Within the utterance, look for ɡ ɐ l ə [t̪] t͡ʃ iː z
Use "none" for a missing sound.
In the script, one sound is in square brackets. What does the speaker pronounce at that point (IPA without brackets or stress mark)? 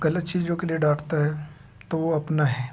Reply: t̪